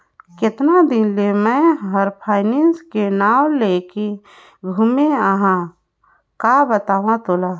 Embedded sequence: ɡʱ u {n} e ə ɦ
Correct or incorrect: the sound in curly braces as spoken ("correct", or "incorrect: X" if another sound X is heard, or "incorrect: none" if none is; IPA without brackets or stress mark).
incorrect: m